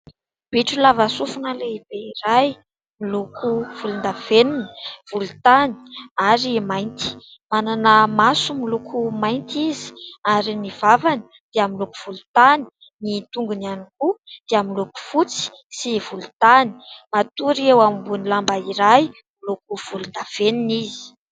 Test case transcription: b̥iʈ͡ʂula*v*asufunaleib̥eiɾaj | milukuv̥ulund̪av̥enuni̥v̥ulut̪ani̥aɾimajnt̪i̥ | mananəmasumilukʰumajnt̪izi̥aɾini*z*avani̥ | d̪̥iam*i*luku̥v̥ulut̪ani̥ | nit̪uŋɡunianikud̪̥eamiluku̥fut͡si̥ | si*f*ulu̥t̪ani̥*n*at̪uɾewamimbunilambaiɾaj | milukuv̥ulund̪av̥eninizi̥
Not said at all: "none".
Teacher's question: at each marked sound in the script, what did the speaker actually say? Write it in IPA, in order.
v, v, i, v, m

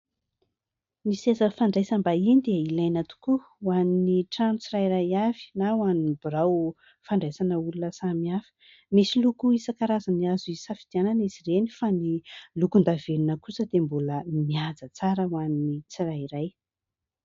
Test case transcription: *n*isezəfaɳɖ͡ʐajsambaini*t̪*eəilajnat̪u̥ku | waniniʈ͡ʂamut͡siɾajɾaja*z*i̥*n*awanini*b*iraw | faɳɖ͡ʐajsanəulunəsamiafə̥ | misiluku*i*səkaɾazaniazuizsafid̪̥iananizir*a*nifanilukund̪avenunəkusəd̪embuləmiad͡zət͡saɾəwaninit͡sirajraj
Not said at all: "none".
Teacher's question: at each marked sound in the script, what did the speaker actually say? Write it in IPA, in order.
m, d̪, v, n, b, i, e

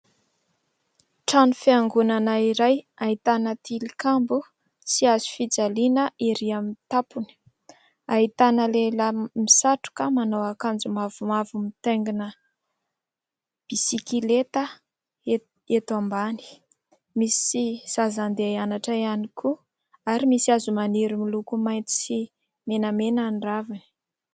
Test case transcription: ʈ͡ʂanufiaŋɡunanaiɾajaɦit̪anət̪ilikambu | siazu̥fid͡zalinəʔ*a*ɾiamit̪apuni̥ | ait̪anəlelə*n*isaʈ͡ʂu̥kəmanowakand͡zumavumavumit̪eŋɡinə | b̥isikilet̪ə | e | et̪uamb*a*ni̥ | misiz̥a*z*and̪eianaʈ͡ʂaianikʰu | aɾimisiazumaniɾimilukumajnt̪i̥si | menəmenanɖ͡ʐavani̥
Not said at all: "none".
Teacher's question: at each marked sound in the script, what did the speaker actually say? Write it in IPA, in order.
i, m, a, z

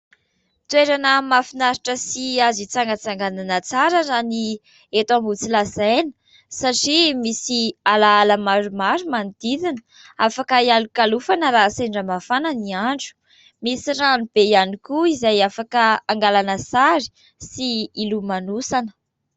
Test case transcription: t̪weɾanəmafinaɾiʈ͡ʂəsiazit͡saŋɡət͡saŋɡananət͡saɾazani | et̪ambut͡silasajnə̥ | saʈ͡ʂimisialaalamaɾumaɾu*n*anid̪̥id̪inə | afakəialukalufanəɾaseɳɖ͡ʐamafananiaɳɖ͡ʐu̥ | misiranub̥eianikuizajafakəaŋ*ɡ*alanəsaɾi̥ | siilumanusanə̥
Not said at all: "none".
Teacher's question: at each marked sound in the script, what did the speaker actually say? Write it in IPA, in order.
m, ɡ

